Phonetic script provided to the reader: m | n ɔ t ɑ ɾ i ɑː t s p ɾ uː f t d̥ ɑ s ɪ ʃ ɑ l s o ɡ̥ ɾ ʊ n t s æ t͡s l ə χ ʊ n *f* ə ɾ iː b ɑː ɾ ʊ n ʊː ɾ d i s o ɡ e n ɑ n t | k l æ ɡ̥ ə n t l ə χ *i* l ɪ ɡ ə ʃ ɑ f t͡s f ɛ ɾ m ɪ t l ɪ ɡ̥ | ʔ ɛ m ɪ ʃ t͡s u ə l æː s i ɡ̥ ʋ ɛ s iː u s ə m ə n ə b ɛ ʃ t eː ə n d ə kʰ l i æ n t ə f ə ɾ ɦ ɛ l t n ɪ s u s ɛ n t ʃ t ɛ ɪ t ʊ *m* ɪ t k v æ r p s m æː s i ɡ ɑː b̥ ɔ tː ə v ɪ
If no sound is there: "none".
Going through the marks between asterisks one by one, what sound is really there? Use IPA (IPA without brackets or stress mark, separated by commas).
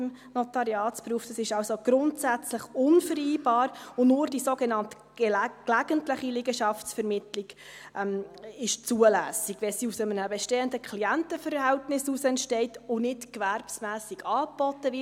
f, i, n